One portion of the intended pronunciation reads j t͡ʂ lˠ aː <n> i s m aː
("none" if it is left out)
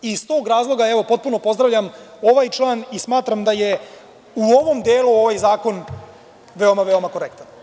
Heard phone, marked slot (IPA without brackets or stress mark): n